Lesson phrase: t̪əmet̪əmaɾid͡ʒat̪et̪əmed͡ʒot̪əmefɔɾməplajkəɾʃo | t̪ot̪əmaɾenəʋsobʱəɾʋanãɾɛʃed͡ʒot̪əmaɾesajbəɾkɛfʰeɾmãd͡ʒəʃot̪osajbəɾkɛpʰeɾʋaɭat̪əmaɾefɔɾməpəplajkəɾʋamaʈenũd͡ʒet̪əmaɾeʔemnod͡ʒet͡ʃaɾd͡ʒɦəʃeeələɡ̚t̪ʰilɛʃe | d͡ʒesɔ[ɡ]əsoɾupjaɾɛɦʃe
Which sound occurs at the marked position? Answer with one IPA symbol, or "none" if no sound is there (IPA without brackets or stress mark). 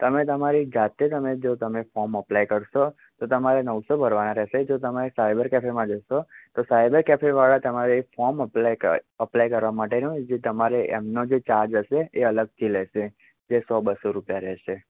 b